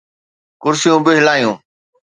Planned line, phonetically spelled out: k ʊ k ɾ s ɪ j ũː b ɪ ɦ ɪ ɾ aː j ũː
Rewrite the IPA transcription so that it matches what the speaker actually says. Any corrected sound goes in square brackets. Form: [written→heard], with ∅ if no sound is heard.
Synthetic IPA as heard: k ʊ [k→∅] ɾ s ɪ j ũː b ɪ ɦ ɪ [ɾ→l] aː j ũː